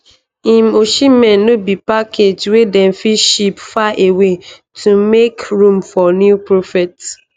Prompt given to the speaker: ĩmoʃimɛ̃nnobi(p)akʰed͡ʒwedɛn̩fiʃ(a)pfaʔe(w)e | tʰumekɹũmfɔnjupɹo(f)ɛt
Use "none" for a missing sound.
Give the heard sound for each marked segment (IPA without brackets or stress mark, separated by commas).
p, i, w, f